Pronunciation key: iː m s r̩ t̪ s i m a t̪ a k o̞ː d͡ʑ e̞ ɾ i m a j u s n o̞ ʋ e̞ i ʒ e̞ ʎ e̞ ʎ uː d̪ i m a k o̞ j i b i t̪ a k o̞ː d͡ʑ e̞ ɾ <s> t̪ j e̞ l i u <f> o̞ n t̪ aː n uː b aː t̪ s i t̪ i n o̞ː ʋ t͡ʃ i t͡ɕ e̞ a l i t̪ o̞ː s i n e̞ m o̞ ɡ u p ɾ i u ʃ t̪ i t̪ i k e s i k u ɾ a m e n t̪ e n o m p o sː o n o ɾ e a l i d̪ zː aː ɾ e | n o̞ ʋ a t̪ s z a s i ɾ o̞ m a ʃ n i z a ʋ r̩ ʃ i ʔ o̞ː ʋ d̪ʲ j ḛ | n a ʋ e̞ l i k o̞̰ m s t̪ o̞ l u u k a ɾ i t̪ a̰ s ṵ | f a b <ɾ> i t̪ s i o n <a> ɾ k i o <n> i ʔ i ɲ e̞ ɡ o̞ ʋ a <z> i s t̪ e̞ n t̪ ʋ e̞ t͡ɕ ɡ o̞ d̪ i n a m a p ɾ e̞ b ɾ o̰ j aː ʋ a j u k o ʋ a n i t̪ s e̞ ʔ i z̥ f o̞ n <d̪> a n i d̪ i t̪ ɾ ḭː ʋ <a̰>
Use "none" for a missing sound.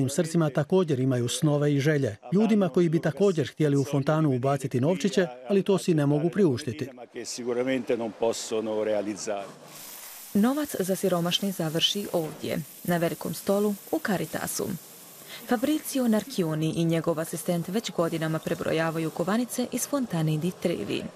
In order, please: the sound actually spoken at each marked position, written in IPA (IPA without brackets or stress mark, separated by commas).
x, f, ɾ, a, n, s, t̪, ḭ